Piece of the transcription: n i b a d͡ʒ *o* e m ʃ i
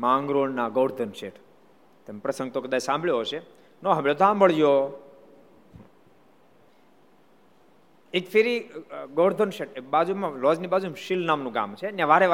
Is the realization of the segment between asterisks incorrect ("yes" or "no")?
yes